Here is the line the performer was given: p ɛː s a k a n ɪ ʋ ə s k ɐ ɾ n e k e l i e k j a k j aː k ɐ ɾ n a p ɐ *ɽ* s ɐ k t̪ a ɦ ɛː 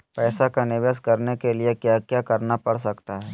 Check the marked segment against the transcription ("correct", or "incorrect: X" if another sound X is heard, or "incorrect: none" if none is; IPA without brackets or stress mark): correct